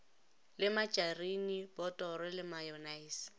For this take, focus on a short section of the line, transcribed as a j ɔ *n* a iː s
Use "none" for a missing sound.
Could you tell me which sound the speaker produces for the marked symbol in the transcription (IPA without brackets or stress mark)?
n